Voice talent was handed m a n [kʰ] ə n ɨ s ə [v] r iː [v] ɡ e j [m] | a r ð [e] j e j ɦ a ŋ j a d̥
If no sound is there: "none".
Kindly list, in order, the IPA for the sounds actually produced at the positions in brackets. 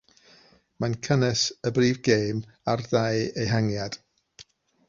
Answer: kʰ, b, v, m, a

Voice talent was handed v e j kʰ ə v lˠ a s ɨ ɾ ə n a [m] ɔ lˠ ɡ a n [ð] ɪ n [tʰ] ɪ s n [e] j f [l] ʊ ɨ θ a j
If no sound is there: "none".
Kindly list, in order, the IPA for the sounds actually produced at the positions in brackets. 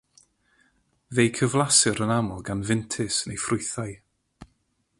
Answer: m, v, tʰ, e, r

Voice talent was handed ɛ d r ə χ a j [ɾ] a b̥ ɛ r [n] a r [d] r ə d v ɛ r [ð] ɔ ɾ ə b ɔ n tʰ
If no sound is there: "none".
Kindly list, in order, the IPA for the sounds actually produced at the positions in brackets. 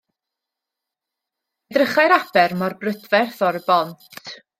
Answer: ɾ, m, b, θ

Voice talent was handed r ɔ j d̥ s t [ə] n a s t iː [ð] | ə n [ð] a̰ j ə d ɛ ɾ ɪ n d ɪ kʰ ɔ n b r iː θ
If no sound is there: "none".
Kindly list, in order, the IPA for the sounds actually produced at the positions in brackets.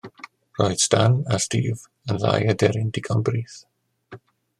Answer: a, v, ð

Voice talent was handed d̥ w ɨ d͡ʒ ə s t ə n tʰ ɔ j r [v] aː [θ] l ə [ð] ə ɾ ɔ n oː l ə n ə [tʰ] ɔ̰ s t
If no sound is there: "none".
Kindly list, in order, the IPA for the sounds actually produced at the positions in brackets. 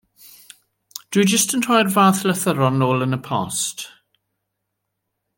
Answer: v, θ, θ, pʰ

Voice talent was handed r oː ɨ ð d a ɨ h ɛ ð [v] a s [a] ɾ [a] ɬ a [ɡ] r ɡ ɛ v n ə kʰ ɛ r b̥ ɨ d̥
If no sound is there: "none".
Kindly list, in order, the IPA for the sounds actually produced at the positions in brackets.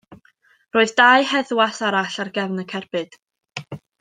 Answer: w, a, a, none

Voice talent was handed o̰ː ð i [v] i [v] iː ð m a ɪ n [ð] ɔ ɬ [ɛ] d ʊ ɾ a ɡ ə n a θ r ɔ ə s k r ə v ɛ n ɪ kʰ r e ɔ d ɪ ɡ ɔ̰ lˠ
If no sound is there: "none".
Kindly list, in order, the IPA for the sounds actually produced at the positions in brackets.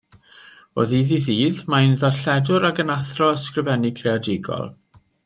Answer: ð, ð, ð, ɛ

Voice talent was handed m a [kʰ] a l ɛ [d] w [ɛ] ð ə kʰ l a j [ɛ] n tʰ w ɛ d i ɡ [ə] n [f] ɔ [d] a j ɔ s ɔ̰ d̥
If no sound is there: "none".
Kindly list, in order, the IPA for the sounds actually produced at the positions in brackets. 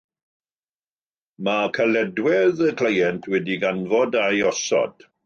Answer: kʰ, d, ɛ, ɛ, a, v, d

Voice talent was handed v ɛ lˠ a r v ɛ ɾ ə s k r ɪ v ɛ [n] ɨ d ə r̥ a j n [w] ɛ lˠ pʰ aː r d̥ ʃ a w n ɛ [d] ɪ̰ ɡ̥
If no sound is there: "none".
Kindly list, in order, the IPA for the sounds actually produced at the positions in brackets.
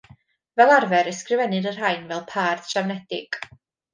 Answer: n, v, d

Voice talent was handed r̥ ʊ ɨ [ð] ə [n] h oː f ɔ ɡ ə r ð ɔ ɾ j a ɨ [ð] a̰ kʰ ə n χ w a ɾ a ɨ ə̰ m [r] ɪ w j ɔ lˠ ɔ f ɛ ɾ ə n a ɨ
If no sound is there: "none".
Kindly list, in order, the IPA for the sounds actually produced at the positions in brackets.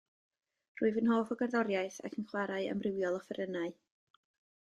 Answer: v, n, θ, r

